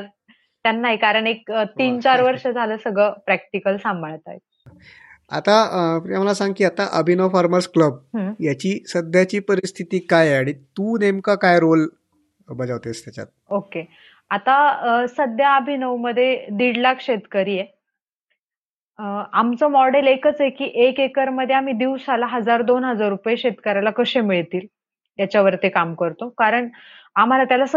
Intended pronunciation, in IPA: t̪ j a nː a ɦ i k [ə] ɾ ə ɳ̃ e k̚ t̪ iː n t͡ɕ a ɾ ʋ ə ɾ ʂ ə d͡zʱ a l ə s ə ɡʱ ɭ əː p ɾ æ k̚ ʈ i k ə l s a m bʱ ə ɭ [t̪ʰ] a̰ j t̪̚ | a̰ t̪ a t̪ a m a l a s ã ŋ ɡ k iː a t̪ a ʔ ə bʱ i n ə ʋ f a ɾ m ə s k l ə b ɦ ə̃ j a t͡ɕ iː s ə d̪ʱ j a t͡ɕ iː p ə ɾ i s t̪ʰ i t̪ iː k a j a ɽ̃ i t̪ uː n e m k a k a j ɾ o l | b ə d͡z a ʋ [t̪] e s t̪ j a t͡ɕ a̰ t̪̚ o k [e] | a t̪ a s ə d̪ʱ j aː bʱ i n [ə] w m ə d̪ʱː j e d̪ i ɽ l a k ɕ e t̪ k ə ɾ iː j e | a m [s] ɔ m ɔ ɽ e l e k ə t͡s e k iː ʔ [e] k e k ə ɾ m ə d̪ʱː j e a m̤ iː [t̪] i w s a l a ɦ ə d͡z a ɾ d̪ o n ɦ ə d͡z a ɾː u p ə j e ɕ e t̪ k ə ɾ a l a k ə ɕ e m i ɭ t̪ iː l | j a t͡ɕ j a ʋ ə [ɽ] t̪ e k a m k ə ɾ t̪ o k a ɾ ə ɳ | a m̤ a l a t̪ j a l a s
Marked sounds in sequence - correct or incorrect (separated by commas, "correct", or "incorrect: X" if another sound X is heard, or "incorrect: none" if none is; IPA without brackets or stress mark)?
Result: incorrect: a, incorrect: t̪, correct, correct, correct, incorrect: t͡s, correct, incorrect: d̪, incorrect: ɾ